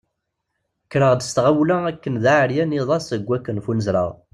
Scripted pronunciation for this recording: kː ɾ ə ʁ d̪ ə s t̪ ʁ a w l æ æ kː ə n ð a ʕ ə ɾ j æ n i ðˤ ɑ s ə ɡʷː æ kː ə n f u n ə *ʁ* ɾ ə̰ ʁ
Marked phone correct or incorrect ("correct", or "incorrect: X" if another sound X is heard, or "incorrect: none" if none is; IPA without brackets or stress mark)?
incorrect: z